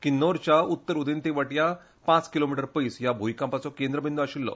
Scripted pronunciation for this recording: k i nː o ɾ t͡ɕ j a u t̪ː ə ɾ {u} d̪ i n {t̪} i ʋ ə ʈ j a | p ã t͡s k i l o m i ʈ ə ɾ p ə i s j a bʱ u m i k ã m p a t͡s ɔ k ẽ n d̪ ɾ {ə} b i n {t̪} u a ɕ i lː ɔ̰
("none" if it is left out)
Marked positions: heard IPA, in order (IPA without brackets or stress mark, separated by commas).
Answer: u, t̪, ə, d̪